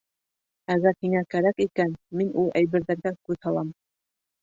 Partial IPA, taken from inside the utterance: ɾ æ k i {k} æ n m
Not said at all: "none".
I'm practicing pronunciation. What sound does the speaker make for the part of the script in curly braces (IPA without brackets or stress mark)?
k